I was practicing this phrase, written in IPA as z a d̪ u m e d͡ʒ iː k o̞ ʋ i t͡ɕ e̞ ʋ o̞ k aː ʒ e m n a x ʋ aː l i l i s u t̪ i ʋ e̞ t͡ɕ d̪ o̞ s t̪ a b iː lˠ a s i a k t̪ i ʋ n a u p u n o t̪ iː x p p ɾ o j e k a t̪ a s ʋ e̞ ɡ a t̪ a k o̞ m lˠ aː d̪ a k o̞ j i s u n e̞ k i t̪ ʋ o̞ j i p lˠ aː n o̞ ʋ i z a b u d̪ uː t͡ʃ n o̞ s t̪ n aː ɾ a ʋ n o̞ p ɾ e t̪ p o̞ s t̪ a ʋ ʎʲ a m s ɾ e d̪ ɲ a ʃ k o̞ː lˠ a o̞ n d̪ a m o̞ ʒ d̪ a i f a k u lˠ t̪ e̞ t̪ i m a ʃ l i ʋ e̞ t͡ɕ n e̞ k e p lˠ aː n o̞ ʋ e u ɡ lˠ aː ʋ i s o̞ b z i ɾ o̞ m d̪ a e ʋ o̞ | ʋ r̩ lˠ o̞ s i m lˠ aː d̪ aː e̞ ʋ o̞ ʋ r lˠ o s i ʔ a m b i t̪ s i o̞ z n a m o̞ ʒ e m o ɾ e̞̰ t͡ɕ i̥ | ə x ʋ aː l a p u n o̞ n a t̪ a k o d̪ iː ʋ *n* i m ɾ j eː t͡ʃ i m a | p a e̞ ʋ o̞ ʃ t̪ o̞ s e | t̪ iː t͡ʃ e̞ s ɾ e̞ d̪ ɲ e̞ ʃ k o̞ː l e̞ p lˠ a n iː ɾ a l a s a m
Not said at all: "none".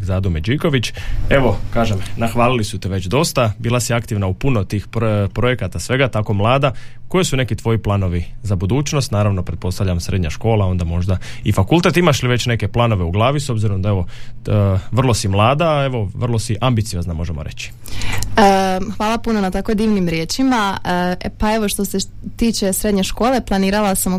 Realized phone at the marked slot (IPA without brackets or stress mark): n